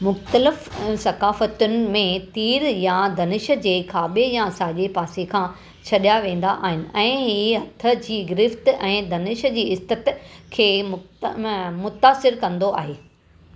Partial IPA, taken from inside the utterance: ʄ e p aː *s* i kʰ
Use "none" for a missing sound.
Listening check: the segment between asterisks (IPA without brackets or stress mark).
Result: s